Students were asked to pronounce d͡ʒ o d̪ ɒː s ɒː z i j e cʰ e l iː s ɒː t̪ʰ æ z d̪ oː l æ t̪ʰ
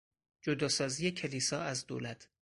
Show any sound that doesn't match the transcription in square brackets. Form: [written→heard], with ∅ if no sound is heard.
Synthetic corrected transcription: d͡ʒ o d̪ ɒː s ɒː z i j e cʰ e l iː s ɒː [t̪ʰ→∅] æ z d̪ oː l æ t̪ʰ